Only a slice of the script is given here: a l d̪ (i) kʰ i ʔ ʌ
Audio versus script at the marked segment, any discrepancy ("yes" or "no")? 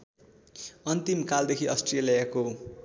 yes